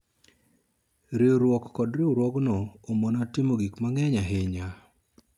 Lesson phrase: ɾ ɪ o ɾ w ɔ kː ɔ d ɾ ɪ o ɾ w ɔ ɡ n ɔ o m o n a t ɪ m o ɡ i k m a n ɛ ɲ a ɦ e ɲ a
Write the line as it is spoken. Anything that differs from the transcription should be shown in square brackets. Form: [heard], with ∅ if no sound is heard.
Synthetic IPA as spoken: ɾ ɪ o ɾ w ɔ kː ɔ d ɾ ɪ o ɾ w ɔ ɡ n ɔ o m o n a t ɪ m o ɡ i k m a [ŋ] ɛ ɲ a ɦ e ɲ a

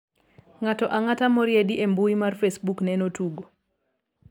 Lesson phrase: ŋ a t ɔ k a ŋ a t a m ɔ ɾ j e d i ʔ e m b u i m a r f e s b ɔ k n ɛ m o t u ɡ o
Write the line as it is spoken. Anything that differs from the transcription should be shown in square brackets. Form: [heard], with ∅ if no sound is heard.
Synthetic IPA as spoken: ŋ a t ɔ [ʔ] a ŋ a t a m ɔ ɾ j e d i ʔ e m b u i m a r f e s b [u] k n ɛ [n] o t u ɡ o

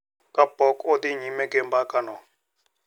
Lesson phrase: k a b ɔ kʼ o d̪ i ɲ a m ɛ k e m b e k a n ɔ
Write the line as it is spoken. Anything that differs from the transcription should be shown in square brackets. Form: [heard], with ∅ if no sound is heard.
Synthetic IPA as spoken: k a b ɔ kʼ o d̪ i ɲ [i] m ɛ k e m b [a] k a n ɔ

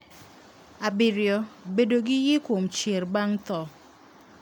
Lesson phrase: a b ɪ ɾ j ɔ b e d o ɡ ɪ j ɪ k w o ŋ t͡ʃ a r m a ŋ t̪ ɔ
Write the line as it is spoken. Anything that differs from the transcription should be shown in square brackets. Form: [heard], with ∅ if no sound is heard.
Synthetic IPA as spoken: a b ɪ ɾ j ɔ b e d o ɡ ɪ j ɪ k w o [m] t͡ʃ [e] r [b] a ŋ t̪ ɔ

